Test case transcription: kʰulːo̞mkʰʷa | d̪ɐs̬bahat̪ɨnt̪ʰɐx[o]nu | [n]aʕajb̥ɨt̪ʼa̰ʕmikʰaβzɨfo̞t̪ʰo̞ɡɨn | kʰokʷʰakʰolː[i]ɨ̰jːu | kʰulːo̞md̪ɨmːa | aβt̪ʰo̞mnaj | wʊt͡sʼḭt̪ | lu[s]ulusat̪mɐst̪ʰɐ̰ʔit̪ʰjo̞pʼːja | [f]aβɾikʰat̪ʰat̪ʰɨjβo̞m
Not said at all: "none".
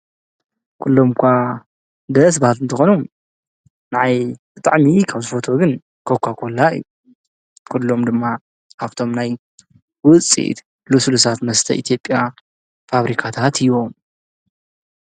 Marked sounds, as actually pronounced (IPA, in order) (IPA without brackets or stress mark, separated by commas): o, n, a, s, f